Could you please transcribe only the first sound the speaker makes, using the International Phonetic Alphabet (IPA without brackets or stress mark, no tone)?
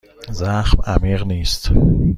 z